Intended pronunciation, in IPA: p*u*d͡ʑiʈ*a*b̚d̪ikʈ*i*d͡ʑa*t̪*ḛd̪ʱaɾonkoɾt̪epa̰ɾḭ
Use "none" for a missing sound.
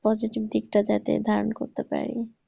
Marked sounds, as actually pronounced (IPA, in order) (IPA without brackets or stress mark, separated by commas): ɔ, i, a, t̪